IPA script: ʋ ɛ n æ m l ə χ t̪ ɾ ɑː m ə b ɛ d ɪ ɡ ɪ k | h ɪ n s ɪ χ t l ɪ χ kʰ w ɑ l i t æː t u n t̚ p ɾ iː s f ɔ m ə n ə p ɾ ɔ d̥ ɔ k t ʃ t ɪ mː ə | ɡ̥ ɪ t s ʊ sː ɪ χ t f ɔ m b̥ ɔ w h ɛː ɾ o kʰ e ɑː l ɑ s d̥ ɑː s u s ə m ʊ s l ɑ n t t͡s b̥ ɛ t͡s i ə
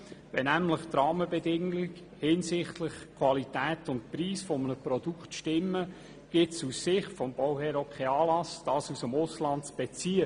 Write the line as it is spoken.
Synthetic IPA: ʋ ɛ n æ m l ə χ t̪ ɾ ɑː m ə b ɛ d ɪ ŋ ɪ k | h ɪ n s ɪ χ t l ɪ χ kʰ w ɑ l i t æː t ʊ n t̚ p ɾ iː s f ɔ m ə n ə p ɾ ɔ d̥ u k t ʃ t ɪ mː ə | ɡ̥ ɪ t s u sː ɪ χ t f ɔ m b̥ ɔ w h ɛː ɾ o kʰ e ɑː l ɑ s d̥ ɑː s u s ə m ʊ s l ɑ n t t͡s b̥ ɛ t͡s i ə